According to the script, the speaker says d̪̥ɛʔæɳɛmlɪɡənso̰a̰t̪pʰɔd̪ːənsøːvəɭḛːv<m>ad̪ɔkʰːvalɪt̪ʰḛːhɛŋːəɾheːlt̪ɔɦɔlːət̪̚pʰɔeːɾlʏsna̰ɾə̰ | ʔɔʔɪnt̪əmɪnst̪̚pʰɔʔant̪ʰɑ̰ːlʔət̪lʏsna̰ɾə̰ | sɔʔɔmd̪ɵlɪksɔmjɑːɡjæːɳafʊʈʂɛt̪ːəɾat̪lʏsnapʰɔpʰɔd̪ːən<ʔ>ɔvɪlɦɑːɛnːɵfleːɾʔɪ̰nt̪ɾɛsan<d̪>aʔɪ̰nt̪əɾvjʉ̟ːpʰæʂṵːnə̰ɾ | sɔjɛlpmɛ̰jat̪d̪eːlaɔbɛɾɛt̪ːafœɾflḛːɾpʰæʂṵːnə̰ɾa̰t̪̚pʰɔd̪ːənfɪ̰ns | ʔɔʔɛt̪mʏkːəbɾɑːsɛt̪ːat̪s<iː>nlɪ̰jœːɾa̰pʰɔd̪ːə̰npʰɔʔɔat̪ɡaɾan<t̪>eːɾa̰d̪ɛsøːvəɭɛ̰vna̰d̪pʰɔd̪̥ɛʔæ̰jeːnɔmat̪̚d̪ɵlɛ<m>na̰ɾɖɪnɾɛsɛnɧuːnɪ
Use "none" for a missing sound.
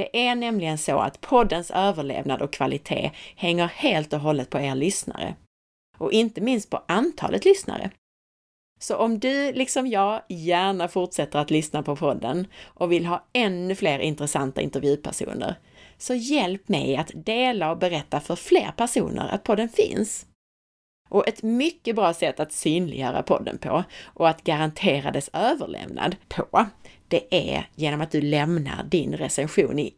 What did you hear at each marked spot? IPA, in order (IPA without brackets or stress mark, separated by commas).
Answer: n, ʔ, t̪, yː, t̪ʰ, m